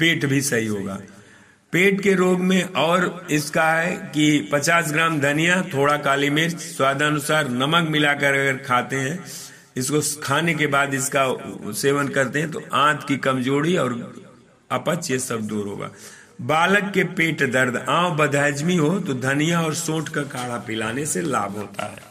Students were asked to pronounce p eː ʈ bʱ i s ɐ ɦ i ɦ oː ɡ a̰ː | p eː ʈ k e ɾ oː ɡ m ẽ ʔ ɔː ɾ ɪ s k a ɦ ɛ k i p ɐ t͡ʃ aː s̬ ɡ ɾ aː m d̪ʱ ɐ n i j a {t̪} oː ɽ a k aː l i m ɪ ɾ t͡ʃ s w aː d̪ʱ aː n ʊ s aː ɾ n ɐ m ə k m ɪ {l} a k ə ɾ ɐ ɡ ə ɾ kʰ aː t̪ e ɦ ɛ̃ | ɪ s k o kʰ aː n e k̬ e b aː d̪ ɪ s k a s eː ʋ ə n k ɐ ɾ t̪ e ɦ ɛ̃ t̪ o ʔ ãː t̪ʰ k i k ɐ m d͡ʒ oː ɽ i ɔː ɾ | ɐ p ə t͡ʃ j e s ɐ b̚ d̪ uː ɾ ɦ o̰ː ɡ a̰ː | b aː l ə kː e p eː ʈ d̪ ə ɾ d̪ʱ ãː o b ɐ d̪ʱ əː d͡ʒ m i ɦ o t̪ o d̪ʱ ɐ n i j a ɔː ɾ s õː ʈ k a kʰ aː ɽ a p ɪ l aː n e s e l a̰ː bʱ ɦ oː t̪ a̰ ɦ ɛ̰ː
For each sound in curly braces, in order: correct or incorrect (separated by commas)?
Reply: incorrect, correct